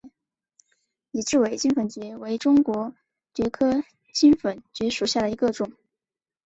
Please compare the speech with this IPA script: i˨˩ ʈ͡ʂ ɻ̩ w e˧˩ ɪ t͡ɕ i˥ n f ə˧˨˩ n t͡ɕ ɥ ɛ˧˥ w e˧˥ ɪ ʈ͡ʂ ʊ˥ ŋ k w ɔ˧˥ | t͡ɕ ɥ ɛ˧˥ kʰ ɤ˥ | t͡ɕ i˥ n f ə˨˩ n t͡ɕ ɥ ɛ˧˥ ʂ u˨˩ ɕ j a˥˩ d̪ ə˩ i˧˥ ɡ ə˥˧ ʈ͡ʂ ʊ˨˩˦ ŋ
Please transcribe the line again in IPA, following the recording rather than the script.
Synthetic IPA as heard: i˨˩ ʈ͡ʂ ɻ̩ w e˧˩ ɪ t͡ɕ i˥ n f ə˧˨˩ n t͡ɕ ɥ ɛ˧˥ w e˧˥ ɪ ʈ͡ʂ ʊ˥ ŋ k w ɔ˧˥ | t͡ɕ ɥ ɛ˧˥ kʰ ɤ˥ | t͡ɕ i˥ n f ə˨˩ n t͡ɕ ɥ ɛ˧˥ ʂ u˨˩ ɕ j a˥˩ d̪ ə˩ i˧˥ ɡ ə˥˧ ʈ͡ʂ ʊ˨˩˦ ŋ